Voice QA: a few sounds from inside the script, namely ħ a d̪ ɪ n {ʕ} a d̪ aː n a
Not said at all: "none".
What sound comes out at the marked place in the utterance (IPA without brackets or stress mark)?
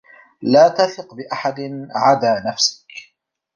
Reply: ʕ